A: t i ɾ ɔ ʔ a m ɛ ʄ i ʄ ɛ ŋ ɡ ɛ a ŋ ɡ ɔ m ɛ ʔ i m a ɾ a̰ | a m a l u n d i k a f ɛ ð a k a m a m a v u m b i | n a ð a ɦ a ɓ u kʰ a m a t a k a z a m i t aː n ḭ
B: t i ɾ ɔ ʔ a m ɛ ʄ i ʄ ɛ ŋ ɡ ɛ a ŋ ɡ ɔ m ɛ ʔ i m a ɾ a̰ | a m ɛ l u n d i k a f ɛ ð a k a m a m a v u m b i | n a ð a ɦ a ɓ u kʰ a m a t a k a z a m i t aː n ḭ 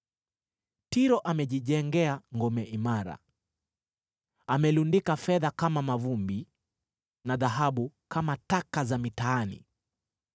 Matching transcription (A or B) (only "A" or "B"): B